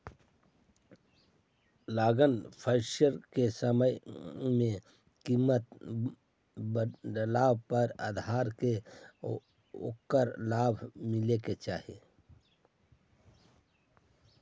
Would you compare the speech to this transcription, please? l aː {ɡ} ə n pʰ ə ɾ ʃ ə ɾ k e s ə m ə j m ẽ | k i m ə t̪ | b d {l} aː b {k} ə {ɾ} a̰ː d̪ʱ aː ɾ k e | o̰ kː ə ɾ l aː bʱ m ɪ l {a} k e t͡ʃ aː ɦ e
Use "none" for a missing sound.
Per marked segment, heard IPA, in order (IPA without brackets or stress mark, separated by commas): ɡ, l, p, ɾ, e